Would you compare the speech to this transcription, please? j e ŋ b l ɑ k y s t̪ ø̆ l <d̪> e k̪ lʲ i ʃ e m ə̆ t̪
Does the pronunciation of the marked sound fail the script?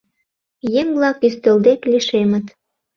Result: no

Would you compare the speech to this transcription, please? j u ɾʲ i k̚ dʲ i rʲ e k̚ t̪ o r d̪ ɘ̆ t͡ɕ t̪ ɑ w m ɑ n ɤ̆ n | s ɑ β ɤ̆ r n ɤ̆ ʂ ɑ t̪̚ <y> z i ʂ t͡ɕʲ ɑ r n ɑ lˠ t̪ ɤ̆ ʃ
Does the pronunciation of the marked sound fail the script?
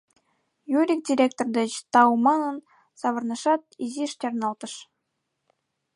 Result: yes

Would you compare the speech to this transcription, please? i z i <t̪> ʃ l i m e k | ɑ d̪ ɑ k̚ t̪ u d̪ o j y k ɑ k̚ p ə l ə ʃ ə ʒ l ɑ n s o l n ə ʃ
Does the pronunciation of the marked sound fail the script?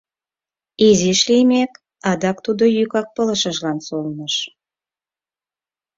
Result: yes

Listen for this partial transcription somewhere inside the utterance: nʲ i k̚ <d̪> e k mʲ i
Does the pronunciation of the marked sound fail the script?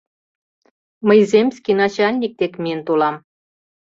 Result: yes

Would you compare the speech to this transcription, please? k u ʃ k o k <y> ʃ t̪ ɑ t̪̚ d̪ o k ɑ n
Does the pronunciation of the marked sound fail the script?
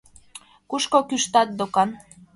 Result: no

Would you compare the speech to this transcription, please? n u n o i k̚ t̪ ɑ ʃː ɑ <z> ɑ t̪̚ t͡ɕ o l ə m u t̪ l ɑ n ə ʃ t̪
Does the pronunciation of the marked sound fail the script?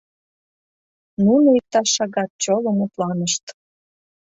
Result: yes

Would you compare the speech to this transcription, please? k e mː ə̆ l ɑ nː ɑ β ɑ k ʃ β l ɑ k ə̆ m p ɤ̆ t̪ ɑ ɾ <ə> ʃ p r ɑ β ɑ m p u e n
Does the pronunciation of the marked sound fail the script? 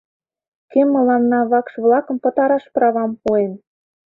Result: yes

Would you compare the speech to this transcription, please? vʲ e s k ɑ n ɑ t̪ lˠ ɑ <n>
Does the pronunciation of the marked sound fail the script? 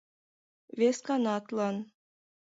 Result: no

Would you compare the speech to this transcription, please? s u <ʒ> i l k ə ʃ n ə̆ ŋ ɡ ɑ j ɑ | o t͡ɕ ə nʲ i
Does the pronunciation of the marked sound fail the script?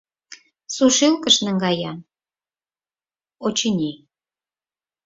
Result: yes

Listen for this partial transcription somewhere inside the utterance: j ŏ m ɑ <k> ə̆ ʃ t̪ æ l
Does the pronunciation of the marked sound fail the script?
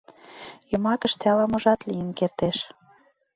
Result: no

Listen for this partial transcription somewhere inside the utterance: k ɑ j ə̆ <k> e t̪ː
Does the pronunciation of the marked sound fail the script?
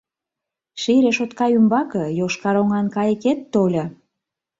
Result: no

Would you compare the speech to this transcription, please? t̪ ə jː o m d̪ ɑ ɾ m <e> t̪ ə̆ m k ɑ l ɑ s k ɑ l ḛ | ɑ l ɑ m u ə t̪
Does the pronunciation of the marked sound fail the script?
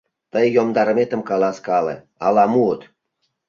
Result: no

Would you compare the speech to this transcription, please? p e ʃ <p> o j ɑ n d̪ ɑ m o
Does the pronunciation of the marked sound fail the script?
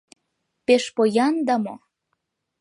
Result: no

